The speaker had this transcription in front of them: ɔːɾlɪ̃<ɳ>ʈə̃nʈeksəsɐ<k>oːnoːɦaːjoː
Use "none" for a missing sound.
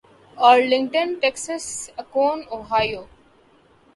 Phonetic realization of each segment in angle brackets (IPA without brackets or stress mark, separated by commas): ŋ, k